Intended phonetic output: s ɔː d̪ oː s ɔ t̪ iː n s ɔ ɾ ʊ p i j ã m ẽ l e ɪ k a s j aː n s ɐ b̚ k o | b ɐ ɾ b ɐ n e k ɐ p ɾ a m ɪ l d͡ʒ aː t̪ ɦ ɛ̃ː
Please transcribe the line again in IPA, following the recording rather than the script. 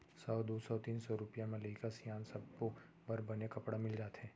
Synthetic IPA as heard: s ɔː d̪ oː s ɔ t̪ iː n s ɔ ɾ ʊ p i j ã m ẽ l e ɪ k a s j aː n s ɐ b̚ k o | b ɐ ɾ b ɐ n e k ɐ p ɽ a m ɪ l d͡ʒ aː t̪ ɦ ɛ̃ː